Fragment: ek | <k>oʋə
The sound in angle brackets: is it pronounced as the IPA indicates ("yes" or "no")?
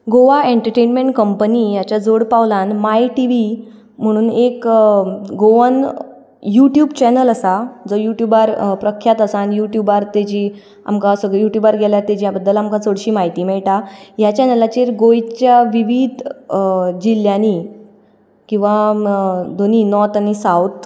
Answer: no